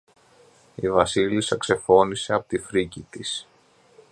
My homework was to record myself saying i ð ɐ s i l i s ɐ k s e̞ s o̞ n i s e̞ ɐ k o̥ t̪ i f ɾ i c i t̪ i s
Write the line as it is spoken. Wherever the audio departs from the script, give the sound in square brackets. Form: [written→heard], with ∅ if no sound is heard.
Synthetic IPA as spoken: i [ð→v] ɐ s i l i s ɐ k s e̞ [s→f] o̞ n i s e̞ ɐ [k→p] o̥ t̪ i f ɾ i c i t̪ i s